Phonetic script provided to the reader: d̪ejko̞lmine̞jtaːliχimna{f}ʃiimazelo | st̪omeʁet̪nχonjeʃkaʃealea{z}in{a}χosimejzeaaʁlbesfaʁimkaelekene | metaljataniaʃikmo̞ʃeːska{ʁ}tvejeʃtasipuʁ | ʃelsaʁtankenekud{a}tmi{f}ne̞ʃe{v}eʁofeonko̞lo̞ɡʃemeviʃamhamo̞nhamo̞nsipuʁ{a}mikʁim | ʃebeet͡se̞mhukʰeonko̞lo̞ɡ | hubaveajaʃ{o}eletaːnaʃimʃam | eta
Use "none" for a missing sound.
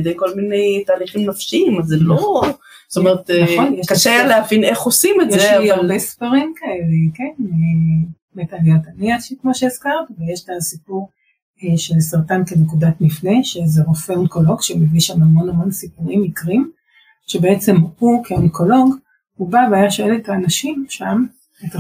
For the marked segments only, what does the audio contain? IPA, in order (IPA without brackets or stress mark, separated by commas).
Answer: f, v, e, ʁ, a, f, z, i, o